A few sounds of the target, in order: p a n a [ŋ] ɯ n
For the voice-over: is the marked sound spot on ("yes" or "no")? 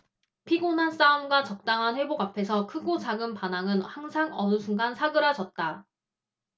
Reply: yes